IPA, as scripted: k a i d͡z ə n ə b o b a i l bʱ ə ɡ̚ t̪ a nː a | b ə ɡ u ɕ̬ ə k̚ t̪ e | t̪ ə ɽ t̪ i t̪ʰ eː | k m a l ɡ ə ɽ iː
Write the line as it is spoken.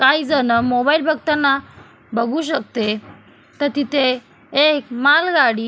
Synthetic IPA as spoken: k a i d͡z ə n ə m o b a i l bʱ ə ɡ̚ t̪ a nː a | b ə ɡ u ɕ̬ ə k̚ t̪ e | t̪ ə ɾ t̪ i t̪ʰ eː | k m a l ɡ a ɽ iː